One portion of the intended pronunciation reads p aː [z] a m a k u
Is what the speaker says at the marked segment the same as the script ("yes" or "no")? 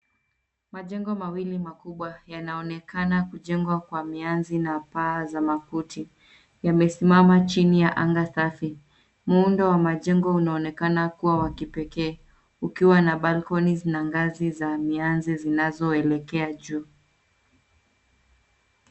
yes